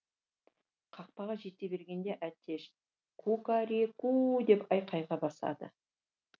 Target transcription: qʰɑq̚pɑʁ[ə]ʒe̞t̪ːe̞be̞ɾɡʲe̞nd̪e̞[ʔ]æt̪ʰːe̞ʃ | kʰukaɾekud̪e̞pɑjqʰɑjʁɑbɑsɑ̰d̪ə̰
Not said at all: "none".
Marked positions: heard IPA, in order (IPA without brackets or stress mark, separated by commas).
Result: ɑ, ʔ